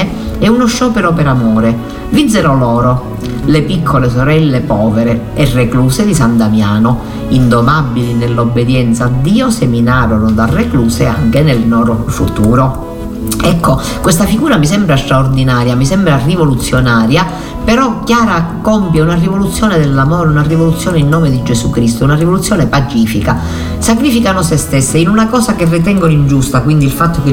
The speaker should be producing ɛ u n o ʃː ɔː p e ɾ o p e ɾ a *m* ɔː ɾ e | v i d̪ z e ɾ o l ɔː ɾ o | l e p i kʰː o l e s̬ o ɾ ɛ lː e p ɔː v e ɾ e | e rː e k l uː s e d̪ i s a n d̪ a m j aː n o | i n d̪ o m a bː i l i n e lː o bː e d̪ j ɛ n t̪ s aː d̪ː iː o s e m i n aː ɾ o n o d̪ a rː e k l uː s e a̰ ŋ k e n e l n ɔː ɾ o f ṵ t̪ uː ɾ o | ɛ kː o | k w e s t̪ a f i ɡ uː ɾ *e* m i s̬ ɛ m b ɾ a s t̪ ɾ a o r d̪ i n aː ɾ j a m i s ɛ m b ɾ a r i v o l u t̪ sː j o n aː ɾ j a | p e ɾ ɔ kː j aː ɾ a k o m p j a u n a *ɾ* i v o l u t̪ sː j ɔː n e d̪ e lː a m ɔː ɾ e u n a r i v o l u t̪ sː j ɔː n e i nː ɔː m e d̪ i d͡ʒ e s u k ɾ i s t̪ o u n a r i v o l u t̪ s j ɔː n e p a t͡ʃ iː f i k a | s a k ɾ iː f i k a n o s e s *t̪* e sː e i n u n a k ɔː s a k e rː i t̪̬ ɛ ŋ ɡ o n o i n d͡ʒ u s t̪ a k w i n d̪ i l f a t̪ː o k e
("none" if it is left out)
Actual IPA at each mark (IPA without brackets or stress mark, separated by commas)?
m, a, r, t̪